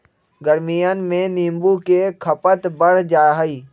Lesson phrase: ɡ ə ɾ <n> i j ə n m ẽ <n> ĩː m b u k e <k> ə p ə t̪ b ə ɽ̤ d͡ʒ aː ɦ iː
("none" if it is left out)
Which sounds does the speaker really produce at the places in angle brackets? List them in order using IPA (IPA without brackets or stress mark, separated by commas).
m, n, kʰ